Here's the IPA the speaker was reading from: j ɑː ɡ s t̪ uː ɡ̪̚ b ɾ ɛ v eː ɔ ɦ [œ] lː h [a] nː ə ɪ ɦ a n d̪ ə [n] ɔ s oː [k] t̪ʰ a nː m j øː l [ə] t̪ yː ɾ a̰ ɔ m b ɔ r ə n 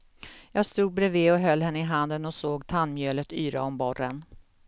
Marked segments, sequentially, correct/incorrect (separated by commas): correct, incorrect, correct, incorrect, correct